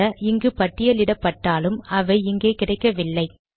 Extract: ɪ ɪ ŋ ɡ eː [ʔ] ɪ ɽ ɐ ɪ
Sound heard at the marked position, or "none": k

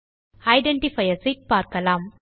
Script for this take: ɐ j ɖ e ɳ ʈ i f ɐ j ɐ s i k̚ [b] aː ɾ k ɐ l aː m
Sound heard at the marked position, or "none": p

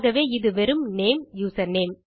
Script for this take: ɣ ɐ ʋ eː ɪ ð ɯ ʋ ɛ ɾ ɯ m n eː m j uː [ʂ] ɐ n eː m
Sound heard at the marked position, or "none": s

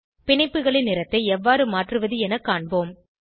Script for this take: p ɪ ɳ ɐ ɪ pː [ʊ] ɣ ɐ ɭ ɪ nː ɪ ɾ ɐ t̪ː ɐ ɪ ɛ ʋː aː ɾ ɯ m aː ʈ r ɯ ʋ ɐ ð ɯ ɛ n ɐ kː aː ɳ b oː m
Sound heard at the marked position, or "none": ɯ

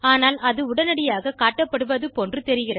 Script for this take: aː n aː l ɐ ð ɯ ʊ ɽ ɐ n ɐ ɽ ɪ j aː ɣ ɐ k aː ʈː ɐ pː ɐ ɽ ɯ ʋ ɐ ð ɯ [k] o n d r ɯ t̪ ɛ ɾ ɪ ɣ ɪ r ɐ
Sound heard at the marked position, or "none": p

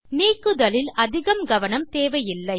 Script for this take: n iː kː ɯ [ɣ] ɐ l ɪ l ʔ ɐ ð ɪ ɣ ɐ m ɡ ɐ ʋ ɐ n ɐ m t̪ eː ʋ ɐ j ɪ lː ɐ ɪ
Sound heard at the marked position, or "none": ð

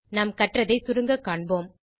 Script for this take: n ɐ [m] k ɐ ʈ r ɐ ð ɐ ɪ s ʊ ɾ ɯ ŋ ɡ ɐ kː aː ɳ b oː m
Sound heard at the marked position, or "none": m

